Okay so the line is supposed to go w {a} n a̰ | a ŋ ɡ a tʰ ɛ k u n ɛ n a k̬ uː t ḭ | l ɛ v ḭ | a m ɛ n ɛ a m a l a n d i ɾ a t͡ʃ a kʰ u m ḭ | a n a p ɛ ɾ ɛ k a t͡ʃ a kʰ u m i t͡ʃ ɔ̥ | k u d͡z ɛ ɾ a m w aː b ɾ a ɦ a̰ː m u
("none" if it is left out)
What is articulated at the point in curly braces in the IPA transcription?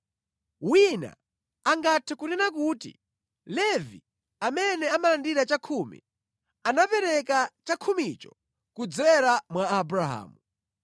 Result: i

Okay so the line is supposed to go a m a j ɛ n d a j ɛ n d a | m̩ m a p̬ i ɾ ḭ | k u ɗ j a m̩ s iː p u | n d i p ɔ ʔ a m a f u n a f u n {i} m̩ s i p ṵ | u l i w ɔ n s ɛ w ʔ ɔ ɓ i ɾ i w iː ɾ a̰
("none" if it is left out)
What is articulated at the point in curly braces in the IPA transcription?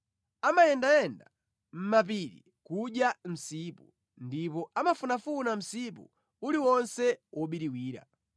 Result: a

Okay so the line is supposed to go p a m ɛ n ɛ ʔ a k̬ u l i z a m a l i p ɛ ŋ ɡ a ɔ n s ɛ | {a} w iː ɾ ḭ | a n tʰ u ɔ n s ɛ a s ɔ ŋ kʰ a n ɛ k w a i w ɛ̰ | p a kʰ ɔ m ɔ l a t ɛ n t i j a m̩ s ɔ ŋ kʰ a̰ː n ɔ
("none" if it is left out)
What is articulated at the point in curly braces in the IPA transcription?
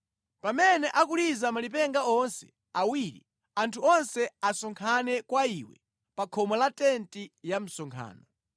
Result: a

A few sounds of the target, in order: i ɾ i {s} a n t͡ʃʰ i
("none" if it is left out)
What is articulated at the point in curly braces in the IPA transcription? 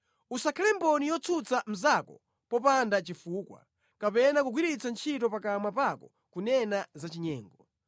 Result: t͡s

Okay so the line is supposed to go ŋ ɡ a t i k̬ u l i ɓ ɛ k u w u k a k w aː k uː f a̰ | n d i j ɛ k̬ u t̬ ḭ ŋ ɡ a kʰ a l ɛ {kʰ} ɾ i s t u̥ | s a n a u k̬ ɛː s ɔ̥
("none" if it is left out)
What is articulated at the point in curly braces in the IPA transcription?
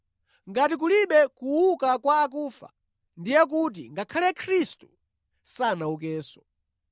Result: kʰ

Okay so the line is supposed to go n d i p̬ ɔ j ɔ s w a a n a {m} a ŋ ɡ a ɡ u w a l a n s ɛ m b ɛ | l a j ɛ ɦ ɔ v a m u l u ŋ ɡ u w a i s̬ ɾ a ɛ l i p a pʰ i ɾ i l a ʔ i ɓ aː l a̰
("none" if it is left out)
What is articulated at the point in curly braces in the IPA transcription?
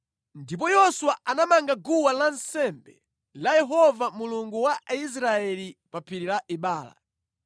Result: m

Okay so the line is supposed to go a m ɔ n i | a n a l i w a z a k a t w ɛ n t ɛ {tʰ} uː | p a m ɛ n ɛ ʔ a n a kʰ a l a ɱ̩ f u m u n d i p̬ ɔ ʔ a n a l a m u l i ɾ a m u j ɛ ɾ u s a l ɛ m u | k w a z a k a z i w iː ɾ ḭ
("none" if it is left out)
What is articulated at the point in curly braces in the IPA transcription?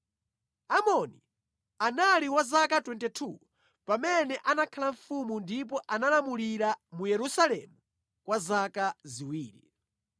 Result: tʰ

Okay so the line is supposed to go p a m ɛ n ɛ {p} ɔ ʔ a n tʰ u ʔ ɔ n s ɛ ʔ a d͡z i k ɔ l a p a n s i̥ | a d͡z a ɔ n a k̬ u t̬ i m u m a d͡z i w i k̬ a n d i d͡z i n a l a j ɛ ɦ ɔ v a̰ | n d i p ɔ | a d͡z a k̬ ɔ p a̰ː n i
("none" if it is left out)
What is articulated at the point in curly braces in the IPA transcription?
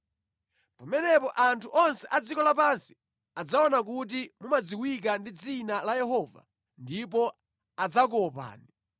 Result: p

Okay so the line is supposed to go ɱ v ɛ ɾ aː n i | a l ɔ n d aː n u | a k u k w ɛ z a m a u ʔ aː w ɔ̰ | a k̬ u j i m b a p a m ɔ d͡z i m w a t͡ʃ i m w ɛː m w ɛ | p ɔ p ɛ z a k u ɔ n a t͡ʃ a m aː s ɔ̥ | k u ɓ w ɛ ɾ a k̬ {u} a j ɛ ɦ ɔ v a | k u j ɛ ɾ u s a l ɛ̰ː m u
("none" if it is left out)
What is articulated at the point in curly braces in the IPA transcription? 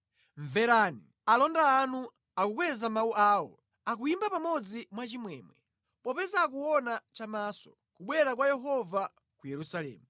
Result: w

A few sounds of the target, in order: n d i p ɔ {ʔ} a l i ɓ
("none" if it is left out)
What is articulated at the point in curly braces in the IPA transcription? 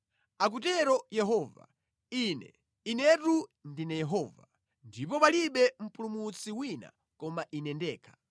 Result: p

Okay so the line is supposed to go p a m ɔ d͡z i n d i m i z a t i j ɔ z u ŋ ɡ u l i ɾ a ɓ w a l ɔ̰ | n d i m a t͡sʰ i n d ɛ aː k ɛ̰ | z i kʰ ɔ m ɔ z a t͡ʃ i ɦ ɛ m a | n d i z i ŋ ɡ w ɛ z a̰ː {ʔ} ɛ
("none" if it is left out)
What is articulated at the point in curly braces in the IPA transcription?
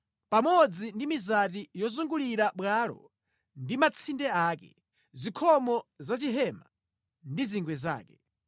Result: k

